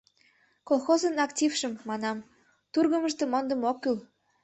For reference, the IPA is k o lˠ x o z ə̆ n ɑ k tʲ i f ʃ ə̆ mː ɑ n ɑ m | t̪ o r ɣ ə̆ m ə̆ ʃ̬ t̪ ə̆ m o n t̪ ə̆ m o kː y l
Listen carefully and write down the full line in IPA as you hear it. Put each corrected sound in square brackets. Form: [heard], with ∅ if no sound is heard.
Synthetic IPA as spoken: k o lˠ x o z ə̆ n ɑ k tʲ i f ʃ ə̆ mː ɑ n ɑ m | t̪ [u] r ɣ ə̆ m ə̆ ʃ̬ t̪ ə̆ m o n [d̪] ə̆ m o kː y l